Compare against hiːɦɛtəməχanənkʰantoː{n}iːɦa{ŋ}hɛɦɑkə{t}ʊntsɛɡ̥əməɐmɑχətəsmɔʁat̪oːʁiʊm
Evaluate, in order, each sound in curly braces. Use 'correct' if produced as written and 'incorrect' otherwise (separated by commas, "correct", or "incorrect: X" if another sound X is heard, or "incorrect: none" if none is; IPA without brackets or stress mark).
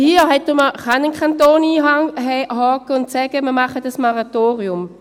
correct, correct, incorrect: none